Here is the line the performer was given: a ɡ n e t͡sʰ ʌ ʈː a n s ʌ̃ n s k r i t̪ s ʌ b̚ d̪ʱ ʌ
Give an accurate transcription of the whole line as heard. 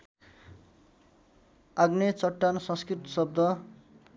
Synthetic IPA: a ɡ n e t͡s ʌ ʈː a n s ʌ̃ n s k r i t̪ s ʌ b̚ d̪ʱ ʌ